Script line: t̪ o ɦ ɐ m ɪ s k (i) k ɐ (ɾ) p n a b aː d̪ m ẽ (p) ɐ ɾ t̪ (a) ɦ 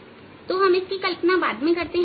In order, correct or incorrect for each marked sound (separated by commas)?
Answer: correct, incorrect, incorrect, incorrect